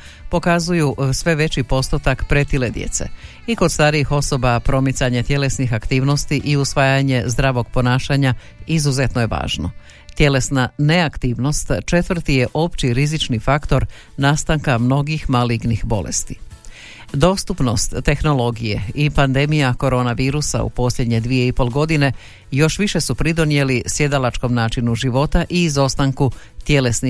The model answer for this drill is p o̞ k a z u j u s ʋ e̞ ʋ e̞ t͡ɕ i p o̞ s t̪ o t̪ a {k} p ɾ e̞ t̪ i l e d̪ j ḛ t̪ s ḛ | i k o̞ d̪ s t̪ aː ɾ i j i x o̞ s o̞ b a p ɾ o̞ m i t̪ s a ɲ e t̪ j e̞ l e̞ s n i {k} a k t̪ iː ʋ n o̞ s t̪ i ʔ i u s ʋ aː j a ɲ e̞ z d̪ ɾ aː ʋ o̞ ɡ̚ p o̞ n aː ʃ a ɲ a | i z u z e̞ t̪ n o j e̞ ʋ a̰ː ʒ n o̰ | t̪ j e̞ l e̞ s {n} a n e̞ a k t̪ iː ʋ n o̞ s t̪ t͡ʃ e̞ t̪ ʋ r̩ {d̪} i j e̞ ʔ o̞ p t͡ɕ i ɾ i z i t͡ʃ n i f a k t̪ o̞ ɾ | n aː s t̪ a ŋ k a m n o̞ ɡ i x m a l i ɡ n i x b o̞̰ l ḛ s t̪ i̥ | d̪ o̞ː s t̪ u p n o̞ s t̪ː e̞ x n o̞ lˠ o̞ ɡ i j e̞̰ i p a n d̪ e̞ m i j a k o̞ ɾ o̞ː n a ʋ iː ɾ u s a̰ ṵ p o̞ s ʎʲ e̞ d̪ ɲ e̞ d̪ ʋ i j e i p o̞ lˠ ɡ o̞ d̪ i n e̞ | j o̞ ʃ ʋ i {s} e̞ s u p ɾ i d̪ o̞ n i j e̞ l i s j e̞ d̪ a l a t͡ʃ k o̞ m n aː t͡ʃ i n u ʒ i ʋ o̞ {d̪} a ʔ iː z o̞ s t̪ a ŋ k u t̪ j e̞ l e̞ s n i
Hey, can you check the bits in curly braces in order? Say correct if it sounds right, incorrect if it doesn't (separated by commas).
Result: correct, incorrect, correct, incorrect, incorrect, incorrect